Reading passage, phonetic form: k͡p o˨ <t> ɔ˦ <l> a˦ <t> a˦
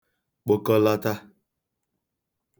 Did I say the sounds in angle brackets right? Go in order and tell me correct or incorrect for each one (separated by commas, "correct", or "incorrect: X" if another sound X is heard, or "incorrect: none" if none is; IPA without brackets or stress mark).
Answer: incorrect: k, correct, correct